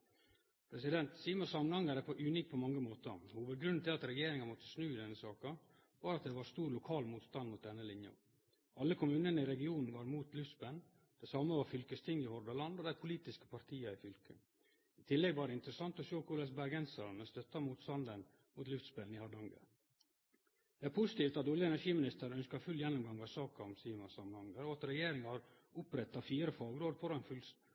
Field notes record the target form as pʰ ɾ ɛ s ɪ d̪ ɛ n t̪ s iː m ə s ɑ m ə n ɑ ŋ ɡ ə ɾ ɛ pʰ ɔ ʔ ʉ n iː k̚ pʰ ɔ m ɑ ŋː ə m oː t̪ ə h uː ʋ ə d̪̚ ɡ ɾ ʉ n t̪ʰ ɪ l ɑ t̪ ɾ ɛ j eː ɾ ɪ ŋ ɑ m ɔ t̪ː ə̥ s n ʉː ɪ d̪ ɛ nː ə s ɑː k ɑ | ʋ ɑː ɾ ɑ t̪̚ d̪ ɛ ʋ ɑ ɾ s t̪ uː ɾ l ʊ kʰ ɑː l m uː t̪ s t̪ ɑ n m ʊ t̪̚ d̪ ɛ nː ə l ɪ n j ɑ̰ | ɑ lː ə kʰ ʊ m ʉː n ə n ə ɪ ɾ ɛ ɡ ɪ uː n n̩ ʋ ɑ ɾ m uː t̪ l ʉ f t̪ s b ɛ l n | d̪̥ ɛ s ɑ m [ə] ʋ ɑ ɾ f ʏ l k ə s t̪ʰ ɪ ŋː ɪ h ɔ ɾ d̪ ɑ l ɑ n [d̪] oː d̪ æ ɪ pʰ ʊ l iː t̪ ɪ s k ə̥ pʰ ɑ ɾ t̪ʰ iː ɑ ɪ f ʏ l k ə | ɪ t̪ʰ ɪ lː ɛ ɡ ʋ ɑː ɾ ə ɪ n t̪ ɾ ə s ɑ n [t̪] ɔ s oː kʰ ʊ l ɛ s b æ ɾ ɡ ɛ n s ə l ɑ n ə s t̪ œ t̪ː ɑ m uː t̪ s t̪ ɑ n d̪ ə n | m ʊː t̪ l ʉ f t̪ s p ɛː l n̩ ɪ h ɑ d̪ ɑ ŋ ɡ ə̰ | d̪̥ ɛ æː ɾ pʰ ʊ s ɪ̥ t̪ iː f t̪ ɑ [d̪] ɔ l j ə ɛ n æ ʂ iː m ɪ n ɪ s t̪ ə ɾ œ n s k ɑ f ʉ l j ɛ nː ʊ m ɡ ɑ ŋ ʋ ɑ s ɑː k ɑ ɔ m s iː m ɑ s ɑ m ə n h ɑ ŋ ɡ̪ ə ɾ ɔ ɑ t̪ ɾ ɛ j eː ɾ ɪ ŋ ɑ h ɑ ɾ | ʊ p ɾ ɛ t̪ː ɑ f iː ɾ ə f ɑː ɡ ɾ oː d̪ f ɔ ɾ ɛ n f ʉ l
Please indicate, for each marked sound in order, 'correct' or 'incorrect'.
correct, correct, correct, incorrect: t̪

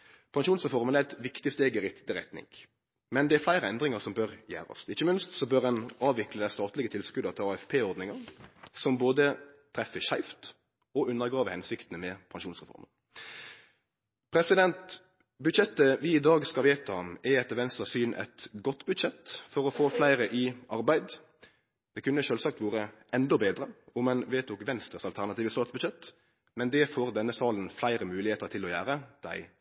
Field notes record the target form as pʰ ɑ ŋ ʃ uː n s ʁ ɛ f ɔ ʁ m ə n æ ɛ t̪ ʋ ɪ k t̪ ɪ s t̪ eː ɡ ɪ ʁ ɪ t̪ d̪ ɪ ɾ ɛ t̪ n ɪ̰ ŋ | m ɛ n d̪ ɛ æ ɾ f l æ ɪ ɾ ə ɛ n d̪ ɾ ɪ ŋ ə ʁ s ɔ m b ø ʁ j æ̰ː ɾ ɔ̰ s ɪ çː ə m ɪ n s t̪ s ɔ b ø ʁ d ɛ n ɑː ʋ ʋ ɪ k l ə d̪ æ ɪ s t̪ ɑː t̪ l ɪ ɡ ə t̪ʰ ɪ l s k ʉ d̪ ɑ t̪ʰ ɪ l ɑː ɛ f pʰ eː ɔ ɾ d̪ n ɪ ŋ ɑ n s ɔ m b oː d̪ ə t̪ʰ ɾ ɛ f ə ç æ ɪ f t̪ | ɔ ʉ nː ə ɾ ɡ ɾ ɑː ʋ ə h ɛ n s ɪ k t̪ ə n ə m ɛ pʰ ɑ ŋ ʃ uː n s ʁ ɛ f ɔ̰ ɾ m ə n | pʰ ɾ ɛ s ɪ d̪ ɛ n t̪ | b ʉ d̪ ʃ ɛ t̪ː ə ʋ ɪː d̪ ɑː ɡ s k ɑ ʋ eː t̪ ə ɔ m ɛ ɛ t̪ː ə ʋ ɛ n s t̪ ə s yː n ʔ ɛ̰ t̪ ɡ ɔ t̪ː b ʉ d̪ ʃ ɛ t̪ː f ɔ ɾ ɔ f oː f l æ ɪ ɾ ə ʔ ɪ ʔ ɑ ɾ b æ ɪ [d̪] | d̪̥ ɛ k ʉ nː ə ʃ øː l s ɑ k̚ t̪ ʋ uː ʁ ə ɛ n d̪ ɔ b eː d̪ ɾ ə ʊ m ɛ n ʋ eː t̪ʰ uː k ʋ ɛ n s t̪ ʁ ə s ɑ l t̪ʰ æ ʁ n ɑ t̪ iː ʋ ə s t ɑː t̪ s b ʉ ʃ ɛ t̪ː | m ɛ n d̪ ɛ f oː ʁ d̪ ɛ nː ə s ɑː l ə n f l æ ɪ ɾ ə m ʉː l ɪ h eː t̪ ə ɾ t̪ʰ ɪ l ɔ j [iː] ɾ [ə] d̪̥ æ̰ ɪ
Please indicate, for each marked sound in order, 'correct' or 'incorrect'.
correct, incorrect: æː, correct

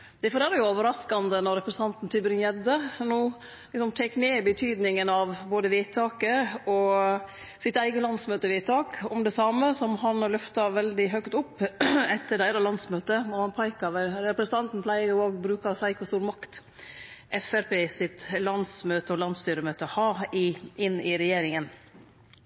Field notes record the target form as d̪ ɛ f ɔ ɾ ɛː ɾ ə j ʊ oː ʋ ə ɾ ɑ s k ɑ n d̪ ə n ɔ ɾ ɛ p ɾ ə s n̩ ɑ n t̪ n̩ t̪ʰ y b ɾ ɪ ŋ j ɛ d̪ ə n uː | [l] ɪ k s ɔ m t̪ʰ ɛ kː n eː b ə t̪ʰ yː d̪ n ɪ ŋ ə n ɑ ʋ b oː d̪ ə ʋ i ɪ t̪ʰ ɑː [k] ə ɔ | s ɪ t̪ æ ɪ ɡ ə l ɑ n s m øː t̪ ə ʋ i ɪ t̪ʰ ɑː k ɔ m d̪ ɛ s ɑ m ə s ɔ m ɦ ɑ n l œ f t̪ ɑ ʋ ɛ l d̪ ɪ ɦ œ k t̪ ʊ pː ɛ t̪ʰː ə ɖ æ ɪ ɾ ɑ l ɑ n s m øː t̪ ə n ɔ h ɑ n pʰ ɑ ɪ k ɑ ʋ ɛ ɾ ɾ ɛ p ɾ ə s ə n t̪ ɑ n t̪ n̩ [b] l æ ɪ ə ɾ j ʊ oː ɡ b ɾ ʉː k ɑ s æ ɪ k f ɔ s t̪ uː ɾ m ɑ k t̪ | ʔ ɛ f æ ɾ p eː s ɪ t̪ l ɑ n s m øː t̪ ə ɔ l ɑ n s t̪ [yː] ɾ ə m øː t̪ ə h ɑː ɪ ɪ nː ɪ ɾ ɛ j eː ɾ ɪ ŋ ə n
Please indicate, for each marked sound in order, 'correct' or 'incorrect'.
correct, correct, incorrect: p, correct

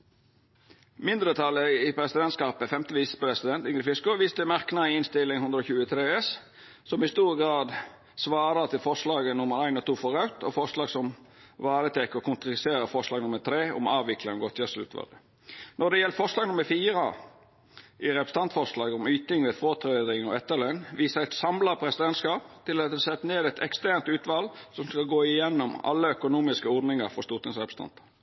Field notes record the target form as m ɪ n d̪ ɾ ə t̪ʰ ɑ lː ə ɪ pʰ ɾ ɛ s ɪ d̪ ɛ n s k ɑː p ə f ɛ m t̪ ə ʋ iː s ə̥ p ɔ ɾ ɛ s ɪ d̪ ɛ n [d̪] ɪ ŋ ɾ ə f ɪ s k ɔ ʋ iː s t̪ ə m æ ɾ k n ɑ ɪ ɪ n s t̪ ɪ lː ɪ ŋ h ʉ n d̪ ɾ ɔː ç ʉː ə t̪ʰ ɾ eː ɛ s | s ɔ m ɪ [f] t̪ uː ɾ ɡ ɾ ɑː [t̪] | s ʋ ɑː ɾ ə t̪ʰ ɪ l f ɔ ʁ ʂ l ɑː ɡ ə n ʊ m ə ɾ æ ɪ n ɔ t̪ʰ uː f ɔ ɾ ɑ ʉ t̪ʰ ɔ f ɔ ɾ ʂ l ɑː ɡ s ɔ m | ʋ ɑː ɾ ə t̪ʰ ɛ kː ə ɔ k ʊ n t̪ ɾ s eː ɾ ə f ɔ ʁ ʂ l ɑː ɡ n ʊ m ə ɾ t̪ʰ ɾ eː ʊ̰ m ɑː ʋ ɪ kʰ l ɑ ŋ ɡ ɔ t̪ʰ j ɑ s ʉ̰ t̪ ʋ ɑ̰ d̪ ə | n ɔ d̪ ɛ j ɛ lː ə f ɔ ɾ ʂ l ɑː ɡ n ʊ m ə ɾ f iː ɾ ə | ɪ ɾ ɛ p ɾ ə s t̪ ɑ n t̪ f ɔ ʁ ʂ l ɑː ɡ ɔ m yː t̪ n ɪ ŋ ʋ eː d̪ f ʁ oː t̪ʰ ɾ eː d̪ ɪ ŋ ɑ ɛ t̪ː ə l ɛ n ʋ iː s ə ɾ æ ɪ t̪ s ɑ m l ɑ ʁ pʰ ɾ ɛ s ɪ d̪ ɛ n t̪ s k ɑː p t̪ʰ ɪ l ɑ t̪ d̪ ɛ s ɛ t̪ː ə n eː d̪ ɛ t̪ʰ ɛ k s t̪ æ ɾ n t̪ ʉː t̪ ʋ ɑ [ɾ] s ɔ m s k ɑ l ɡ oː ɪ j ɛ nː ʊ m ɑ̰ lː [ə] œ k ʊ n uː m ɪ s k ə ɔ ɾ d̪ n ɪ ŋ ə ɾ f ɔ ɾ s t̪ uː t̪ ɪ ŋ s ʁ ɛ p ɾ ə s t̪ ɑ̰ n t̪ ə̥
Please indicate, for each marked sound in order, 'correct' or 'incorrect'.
incorrect: t̪, incorrect: s, incorrect: d̪, incorrect: l, correct

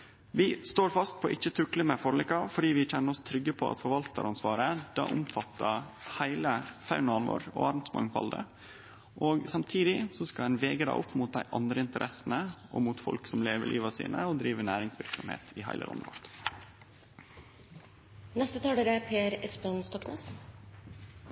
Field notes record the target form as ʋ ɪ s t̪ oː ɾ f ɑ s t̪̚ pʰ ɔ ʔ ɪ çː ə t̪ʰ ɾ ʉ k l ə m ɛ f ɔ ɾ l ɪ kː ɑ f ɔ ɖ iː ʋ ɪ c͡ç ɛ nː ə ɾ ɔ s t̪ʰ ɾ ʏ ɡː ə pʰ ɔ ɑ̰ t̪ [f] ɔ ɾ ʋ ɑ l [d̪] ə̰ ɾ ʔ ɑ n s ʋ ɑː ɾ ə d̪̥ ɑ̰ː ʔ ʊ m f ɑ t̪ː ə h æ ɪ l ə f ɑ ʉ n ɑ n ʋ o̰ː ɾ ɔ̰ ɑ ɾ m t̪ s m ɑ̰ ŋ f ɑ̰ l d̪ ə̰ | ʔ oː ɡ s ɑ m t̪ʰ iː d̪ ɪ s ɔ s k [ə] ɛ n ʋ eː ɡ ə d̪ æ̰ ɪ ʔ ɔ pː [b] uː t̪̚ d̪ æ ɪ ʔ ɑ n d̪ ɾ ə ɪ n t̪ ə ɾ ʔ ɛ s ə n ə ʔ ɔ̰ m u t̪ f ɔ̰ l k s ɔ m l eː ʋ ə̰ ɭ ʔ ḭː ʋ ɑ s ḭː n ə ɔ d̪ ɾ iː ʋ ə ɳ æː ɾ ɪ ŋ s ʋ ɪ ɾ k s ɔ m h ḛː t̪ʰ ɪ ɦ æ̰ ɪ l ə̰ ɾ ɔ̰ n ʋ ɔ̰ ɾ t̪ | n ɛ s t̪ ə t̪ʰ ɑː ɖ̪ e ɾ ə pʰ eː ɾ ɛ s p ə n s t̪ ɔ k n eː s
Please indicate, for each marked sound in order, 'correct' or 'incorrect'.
correct, incorrect: t̪, incorrect: ɑ, incorrect: m

